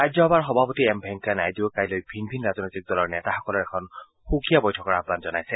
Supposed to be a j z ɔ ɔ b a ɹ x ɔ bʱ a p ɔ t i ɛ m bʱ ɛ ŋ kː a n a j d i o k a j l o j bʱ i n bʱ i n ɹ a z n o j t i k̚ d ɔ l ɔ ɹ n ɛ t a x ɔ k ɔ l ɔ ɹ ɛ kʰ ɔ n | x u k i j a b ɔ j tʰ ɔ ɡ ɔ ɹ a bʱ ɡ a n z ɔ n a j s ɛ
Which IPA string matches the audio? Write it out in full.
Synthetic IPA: a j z ɔ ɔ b a ɹ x ɔ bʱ a p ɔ t i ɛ m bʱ ɛ ŋ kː a n a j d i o k a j l o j bʱ i n bʱ i n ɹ a z n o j t i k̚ d ɔ l ɔ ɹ n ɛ t a x ɔ k ɔ l ɔ ɹ ɛ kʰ ɔ n | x u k i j a b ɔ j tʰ ɔ k ɔ ɹ a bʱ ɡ a n z ɔ n a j s ɛ